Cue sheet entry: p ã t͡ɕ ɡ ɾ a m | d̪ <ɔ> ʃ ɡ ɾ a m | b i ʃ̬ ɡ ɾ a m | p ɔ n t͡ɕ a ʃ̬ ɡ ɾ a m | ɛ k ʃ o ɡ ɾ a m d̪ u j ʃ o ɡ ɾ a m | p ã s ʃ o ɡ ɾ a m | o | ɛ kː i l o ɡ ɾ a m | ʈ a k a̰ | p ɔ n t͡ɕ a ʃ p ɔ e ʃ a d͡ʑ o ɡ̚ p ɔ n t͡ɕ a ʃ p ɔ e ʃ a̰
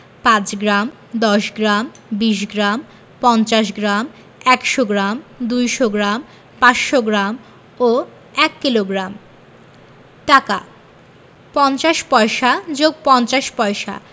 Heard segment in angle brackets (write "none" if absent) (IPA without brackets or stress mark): ɔ